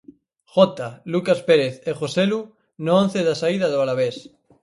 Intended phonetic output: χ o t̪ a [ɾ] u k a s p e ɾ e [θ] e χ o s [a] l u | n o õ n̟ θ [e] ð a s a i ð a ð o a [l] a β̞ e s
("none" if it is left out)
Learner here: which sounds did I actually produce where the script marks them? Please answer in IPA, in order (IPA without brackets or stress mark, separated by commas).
l, θ, e, e, l